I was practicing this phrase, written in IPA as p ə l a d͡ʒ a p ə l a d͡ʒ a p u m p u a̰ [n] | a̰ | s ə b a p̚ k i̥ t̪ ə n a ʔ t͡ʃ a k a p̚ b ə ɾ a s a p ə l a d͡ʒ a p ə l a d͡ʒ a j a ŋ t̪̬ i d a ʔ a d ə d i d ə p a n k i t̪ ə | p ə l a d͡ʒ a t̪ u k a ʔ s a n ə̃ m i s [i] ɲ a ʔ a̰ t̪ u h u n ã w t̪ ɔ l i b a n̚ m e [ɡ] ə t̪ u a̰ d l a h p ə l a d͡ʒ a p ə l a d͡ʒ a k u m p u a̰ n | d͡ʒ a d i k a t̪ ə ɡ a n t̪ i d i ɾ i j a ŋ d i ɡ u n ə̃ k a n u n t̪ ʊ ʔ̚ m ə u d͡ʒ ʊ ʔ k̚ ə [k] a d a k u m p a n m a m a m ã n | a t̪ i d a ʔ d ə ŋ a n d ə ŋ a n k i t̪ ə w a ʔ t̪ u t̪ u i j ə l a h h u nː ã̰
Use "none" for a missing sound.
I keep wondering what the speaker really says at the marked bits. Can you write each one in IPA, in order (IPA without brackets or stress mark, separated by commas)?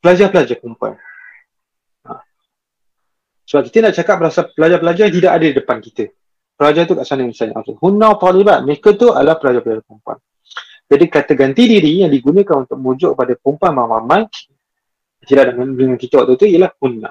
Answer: n, a, k, p